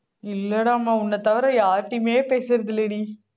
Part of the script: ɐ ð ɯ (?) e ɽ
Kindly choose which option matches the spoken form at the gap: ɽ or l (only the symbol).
l